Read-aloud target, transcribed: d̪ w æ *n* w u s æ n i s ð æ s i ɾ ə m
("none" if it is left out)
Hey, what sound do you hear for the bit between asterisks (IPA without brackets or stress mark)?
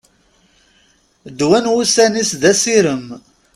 n